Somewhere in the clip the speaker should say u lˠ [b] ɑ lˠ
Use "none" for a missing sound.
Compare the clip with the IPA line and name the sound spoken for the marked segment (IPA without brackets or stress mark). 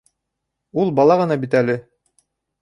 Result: b